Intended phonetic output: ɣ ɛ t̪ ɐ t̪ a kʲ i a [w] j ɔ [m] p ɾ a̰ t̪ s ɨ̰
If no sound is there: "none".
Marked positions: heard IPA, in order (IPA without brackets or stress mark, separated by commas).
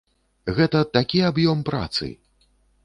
b, m